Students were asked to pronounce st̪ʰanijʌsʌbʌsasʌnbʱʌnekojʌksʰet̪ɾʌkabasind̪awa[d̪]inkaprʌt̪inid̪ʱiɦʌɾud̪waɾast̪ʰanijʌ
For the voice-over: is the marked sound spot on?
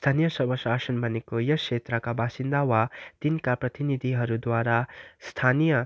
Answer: no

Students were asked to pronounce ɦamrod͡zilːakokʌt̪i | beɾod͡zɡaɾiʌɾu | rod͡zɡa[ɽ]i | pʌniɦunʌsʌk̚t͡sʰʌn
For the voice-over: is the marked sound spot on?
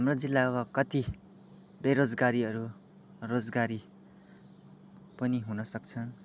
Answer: no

